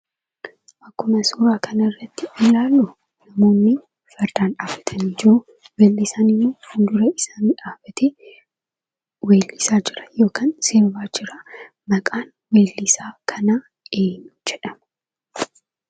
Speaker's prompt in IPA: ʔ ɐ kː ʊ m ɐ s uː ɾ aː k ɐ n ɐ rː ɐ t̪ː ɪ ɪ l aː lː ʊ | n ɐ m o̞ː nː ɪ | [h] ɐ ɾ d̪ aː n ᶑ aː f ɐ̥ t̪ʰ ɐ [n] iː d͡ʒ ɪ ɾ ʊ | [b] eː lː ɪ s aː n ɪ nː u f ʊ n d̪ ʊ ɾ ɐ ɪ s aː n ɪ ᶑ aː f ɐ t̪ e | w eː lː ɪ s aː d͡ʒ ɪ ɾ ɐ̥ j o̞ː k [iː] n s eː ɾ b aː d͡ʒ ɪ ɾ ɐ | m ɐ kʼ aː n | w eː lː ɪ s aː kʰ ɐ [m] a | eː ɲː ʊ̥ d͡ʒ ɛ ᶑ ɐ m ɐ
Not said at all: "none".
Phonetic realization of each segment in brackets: f, n, w, aː, n

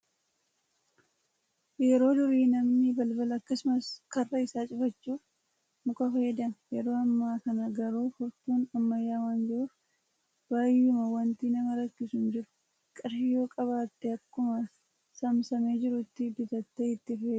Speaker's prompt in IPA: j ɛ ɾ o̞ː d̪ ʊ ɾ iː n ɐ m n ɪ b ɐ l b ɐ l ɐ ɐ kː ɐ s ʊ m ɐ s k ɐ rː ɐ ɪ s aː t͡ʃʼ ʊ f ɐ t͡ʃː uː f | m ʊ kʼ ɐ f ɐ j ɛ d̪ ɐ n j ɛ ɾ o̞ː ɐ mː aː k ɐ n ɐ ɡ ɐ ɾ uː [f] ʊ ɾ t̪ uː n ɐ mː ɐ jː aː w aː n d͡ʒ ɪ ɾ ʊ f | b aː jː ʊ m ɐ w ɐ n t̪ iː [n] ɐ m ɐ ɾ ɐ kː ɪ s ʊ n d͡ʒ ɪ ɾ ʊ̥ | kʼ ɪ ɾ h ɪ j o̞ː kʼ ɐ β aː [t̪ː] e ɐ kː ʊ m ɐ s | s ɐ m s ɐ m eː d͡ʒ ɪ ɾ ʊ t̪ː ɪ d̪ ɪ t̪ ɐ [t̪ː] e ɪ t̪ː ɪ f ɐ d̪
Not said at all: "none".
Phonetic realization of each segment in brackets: f, n, t̪ː, t̪ː

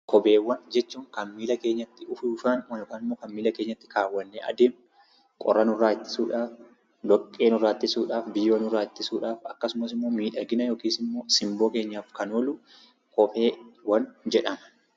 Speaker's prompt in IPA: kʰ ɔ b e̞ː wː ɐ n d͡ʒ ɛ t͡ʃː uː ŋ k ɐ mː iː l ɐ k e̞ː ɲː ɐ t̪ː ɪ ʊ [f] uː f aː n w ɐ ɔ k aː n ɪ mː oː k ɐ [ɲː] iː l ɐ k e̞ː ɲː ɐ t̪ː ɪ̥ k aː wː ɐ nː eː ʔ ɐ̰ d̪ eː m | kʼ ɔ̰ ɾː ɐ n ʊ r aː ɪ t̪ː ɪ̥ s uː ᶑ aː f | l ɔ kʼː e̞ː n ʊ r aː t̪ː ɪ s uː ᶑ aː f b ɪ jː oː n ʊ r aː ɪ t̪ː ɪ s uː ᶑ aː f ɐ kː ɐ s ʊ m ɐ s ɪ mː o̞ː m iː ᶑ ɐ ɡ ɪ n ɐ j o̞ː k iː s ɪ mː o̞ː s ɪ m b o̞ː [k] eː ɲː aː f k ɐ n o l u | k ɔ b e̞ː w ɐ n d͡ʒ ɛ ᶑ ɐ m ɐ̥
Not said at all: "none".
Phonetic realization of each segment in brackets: f, mː, k

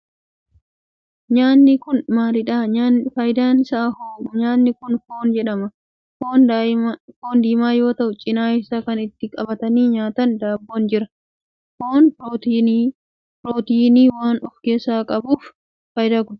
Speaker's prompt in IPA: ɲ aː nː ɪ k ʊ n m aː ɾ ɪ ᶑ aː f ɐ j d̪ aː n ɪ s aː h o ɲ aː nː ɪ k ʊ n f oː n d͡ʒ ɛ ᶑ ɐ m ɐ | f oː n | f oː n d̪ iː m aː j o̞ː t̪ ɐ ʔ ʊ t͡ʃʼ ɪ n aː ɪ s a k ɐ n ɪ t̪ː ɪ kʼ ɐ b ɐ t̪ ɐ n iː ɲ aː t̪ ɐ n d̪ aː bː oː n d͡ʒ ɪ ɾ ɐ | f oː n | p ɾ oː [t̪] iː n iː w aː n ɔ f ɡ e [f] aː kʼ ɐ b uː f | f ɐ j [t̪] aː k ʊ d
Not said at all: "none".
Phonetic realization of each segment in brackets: t̪, s, d̪

